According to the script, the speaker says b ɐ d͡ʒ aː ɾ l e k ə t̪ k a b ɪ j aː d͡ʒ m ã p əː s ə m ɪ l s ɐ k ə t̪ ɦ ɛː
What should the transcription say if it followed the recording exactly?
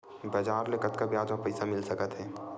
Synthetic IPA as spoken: b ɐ d͡ʒ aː ɾ l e k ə t̪ k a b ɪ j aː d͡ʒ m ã p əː s a m ɪ l s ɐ k ə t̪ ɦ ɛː